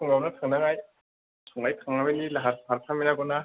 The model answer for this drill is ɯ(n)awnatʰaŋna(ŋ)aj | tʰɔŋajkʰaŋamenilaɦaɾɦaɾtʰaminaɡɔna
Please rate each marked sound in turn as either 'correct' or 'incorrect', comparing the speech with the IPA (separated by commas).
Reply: incorrect, correct